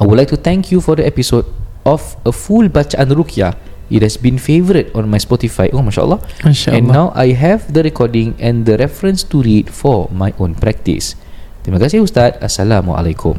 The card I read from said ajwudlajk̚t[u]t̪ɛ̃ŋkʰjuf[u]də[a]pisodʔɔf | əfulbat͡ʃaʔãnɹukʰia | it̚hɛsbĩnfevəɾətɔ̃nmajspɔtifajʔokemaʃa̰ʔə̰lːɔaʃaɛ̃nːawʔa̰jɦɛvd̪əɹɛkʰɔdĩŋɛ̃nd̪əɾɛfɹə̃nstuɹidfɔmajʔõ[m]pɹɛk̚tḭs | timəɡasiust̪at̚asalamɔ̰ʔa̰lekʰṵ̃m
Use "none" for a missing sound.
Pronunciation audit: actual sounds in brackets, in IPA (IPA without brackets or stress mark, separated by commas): u, ɔ, ɛ, n